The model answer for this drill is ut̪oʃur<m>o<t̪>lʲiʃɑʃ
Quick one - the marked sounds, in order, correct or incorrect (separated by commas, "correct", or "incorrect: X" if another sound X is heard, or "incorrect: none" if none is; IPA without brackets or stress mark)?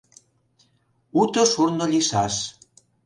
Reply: incorrect: n, incorrect: none